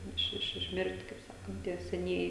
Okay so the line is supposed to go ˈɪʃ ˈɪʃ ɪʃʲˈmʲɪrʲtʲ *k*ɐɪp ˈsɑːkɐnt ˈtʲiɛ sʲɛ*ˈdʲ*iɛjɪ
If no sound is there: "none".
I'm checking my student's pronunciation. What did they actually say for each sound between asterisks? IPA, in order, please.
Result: k, nʲ

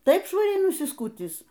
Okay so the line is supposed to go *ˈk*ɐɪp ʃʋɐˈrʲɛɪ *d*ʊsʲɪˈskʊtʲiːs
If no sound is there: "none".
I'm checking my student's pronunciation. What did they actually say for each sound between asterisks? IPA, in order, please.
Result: t, n

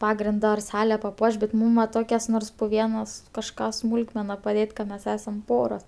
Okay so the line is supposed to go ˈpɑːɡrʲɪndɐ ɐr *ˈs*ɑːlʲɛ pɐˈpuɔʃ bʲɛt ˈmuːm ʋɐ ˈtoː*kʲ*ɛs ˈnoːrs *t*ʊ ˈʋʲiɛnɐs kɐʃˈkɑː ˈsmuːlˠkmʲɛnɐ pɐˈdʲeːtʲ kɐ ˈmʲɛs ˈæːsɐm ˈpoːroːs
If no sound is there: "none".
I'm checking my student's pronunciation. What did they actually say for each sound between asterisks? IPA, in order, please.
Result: s, kʲ, p

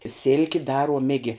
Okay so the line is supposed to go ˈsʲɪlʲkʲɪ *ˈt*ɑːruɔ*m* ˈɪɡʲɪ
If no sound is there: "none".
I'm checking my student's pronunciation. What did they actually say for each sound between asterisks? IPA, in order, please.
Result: d, m

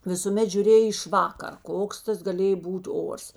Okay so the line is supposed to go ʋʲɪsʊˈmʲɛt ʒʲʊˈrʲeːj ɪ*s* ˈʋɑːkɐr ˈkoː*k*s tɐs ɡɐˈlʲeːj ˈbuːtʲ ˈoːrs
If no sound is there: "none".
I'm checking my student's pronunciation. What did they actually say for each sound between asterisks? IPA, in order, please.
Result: ʃ, k

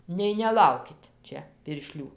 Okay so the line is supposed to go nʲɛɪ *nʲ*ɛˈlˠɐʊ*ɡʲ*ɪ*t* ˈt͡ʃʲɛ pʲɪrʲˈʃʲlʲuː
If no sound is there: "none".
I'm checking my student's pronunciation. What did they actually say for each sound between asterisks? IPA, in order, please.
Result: nʲ, kʲ, t

